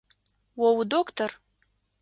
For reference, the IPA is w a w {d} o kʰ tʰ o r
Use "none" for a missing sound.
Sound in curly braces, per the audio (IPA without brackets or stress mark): d